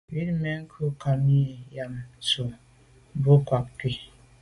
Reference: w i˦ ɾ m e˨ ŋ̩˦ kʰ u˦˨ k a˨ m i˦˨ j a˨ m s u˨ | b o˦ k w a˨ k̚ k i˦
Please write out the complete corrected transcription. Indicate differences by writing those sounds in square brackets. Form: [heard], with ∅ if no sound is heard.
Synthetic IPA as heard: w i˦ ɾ m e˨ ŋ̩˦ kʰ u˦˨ k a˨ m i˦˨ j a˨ m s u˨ | b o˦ k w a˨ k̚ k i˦